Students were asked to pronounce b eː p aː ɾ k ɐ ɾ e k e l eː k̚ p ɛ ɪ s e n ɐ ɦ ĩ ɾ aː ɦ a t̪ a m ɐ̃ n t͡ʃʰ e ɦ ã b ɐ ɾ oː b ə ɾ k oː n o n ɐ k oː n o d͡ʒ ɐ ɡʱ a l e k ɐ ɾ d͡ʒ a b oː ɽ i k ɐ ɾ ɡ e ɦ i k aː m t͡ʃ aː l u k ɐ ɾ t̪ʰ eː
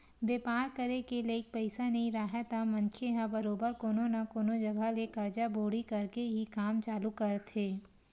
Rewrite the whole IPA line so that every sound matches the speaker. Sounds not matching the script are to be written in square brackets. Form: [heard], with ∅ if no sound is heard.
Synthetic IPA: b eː p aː ɾ k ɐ ɾ e k e l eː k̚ p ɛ ɪ s [a] n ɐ ɦ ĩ ɾ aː ɦ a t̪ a m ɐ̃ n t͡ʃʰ e ɦ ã b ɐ ɾ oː b ə ɾ k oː n o n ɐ k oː n o d͡ʒ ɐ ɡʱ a l e k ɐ ɾ d͡ʒ a b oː ɽ i k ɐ ɾ [k] e ɦ i k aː m t͡ʃ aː l u k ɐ ɾ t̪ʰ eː